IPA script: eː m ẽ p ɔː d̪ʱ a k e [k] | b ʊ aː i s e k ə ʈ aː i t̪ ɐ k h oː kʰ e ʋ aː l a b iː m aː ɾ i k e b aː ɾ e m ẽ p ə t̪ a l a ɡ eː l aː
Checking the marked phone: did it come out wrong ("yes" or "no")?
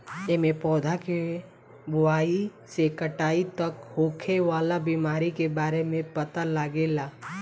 yes